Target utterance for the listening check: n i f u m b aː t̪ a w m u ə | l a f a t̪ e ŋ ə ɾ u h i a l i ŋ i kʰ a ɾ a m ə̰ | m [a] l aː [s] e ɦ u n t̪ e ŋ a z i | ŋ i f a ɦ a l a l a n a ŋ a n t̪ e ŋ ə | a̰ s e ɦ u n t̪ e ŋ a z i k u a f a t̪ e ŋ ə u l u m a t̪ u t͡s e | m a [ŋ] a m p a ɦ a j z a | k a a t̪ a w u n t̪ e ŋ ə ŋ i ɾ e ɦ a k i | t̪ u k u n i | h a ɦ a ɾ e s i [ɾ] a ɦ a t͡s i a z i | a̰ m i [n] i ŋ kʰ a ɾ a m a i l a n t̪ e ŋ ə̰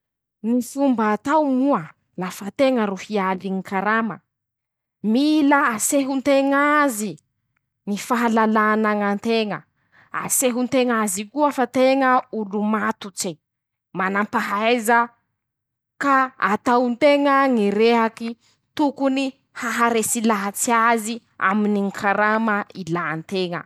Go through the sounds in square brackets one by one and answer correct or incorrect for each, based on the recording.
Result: incorrect: i, correct, incorrect: n, incorrect: l, correct

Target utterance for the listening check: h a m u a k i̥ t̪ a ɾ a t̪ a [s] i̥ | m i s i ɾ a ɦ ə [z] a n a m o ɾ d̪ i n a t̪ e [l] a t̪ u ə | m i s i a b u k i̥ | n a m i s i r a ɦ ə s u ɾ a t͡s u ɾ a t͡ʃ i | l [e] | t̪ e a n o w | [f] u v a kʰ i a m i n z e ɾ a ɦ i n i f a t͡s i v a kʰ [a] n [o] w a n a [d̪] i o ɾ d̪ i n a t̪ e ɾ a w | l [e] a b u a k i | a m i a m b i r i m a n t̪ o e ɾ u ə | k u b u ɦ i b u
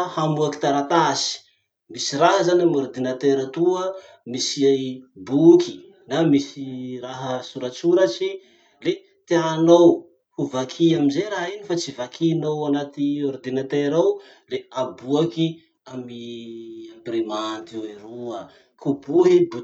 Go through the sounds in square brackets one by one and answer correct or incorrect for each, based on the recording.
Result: correct, correct, incorrect: ɾ, correct, incorrect: h, incorrect: i, correct, incorrect: t̪, correct

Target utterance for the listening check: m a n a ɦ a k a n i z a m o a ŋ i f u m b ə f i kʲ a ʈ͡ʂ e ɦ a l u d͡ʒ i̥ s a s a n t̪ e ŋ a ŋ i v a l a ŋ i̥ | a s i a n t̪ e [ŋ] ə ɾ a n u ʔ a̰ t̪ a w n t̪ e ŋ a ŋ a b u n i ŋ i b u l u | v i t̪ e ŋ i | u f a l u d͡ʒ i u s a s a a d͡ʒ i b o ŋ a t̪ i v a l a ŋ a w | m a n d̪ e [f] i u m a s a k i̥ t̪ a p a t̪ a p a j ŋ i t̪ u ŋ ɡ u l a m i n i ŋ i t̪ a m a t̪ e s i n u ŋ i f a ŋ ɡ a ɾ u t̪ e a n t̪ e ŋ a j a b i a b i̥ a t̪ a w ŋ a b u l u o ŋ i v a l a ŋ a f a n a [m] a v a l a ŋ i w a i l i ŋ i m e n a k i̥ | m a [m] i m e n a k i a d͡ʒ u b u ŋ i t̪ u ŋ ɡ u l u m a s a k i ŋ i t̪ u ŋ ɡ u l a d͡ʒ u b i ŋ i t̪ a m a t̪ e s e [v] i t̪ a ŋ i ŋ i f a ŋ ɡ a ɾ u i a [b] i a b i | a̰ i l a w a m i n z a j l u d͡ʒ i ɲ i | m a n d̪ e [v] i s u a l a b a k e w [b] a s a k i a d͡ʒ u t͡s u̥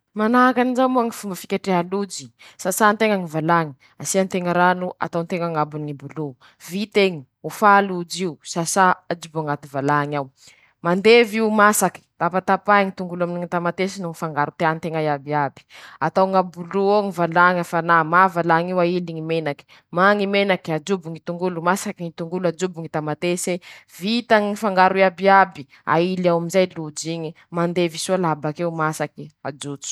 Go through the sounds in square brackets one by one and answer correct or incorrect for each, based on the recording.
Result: correct, incorrect: v, correct, incorrect: ŋ, correct, correct, correct, incorrect: m

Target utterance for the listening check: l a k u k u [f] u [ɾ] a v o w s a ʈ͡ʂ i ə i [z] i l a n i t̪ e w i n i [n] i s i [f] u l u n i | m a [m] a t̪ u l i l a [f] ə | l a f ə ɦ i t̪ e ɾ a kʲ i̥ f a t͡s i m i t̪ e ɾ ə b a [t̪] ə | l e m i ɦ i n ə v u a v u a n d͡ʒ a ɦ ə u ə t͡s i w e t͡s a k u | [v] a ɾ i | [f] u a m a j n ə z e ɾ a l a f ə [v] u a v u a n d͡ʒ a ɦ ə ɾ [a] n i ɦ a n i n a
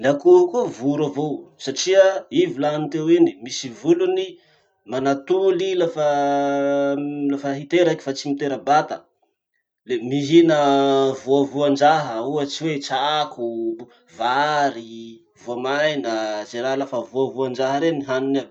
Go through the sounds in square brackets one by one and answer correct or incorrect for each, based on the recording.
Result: incorrect: v, correct, incorrect: v, incorrect: m, incorrect: v, incorrect: n, correct, correct, correct, incorrect: v, correct, incorrect: e

